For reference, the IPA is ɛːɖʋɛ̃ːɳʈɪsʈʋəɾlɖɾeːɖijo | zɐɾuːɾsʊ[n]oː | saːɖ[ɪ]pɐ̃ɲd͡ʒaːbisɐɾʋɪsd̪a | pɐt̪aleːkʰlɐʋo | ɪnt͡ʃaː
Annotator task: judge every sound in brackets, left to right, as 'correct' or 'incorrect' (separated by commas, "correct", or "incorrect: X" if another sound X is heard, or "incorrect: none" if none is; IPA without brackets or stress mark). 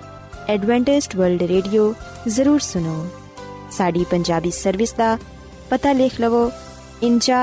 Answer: correct, incorrect: i